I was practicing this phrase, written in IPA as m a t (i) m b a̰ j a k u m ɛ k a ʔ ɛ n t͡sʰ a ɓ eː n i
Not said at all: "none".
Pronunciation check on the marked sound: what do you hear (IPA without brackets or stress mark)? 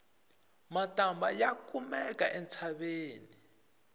a